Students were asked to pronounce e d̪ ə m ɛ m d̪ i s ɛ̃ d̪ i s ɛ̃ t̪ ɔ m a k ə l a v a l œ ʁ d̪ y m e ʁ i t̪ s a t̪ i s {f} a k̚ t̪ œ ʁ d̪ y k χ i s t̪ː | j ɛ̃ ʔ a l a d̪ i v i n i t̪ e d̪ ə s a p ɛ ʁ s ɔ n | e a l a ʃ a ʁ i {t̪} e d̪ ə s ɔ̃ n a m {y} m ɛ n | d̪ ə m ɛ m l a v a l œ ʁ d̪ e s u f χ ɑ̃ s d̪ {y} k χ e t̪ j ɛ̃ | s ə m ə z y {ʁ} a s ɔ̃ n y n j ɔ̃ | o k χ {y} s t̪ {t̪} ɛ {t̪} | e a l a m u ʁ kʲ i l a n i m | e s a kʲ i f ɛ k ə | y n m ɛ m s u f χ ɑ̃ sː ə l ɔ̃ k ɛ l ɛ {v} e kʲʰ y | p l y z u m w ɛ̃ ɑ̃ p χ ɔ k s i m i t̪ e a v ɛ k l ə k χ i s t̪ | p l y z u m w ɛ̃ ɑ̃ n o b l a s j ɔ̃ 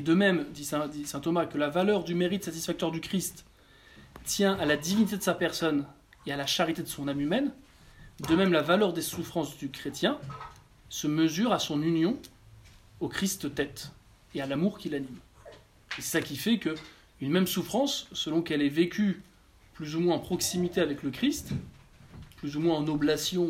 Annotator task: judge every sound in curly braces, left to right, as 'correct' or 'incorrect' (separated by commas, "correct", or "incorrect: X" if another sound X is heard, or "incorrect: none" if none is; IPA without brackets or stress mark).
correct, correct, correct, correct, correct, incorrect: i, correct, correct, correct